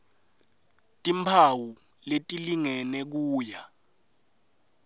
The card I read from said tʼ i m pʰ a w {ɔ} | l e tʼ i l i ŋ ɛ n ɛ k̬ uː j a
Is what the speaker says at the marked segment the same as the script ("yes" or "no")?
no